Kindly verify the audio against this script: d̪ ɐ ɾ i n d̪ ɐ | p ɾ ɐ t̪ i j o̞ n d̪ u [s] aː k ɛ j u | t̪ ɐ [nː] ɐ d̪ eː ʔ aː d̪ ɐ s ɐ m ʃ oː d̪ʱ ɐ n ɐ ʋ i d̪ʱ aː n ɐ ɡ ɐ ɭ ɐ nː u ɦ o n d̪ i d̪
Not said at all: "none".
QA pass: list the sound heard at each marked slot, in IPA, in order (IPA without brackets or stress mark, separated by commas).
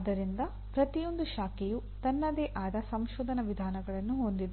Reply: ʃ, nː